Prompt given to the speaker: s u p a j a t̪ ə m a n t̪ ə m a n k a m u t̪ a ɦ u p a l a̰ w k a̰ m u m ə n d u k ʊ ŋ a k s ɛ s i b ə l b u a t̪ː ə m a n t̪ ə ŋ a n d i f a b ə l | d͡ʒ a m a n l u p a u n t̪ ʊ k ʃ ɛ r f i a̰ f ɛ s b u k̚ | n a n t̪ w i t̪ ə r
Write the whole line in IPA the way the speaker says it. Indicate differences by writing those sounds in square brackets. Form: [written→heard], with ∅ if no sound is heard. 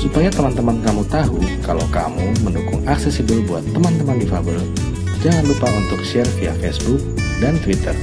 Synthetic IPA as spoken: s u p a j a t̪ ə m a n t̪ ə m a n k a m u t̪ a ɦ u [p→k] a l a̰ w k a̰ m u m ə n d u k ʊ ŋ a k s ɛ s i b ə l b u a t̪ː ə m a n t̪ ə [ŋ→m] a n d i f a b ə l | d͡ʒ a [m→ŋ] a n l u p a u n t̪ ʊ k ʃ ɛ r f i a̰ f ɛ s b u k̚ | [n→d] a n t̪ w i t̪ ə r